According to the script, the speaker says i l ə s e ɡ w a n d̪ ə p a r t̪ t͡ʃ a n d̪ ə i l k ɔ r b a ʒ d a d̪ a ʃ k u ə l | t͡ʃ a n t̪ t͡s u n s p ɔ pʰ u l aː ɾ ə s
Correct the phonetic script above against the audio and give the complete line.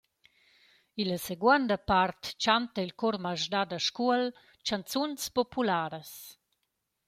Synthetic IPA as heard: i l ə s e ɡ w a n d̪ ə p a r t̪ t͡ʃ a n t̪ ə i l k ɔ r m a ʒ d a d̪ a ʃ k u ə l | t͡ʃ a n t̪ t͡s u n s p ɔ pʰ u l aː ɾ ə s